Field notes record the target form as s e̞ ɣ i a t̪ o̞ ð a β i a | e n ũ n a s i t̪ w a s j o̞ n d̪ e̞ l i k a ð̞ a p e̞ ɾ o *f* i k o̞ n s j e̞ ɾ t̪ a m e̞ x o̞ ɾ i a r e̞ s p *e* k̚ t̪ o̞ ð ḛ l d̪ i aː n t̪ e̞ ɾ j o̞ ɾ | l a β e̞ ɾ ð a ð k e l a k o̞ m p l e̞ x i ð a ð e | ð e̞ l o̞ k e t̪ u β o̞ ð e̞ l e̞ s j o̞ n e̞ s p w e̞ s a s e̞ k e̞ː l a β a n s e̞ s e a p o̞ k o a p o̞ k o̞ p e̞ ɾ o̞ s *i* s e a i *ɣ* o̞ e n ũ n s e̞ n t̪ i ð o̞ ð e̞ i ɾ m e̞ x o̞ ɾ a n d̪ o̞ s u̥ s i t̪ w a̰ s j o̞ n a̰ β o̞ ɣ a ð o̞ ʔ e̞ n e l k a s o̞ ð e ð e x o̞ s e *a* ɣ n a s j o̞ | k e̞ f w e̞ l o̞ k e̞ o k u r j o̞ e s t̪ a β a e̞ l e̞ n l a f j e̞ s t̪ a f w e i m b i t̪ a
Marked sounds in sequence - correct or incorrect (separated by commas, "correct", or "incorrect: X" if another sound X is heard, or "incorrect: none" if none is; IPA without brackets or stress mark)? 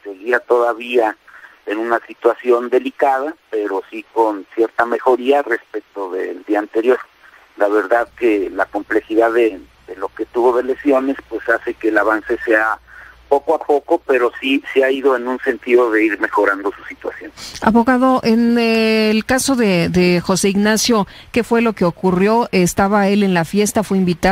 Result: incorrect: s, correct, correct, incorrect: ð, incorrect: i